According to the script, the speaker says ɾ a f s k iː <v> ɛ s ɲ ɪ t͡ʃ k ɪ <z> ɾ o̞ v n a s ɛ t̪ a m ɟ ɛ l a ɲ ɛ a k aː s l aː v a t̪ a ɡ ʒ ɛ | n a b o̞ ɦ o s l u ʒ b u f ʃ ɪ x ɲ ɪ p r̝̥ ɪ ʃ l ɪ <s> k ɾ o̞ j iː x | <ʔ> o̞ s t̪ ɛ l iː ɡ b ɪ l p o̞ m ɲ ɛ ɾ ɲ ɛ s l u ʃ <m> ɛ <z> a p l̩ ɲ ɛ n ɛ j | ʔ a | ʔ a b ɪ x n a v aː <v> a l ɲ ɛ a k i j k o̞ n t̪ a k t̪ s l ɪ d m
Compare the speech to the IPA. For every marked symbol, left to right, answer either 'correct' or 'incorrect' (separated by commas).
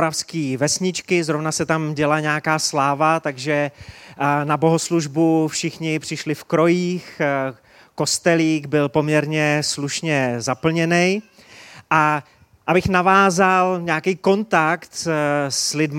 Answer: correct, correct, incorrect, incorrect, incorrect, correct, incorrect